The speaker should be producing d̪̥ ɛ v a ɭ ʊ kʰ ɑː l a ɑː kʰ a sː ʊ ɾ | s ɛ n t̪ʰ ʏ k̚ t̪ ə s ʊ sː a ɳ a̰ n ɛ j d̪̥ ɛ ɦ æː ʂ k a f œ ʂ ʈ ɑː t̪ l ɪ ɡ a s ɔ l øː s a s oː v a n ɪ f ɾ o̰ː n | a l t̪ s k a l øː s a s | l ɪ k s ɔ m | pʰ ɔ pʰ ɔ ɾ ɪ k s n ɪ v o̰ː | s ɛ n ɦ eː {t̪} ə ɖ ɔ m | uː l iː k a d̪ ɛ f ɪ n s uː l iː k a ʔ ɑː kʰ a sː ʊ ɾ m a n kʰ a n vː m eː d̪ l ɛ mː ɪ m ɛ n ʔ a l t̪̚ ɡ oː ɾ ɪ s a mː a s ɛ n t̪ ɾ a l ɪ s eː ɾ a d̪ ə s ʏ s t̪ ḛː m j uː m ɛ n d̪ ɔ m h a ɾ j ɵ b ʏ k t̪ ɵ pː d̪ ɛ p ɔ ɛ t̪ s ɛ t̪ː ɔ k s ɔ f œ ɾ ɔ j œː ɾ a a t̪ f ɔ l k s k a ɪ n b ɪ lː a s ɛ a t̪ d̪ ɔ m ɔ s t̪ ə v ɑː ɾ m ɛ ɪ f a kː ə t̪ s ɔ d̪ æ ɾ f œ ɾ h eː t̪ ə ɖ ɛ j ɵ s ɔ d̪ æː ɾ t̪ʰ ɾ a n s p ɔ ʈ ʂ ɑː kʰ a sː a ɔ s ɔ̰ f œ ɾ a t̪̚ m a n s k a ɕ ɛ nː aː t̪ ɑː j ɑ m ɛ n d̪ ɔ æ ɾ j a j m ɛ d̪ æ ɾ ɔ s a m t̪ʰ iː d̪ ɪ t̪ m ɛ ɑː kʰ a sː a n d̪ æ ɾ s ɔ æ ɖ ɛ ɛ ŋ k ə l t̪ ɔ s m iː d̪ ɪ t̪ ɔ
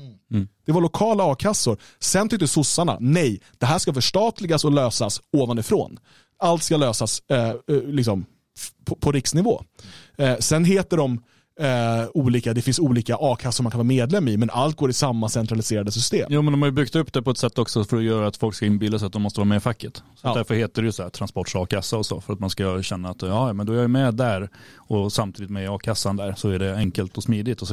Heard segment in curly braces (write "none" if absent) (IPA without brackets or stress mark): t̪